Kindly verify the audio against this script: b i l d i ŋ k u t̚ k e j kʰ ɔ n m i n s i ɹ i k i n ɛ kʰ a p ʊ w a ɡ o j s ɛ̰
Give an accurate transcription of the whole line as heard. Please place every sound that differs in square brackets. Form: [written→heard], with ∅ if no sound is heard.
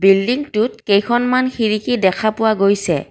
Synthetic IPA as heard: b i l d i ŋ [k→t] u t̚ k e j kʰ ɔ n m [i→a] n [s→x] i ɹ i k i [n→d] ɛ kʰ a p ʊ w a ɡ o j s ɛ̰